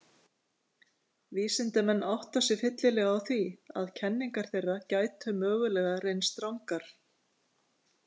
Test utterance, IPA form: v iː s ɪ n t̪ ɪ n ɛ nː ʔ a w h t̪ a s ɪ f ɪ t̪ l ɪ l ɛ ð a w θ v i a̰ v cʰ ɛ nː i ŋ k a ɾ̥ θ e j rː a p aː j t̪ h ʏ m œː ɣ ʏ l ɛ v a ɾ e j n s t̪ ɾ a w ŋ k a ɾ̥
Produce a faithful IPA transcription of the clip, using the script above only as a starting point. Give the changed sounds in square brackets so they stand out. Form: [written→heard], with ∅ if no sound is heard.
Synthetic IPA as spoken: v iː s ɪ n t̪ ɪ [n→m] ɛ nː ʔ a w h t̪ a s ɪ f ɪ t̪ l ɪ l ɛ [ð→ɣ] a w θ v i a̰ [v→ð] cʰ ɛ nː i ŋ k a ɾ̥ θ e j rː a [p→c] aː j t̪ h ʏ m œː ɣ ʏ l ɛ [v→ɣ] a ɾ e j n s t̪ ɾ a w ŋ k a ɾ̥